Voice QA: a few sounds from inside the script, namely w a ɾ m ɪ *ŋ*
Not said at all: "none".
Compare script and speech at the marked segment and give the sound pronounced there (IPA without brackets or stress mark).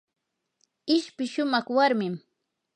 m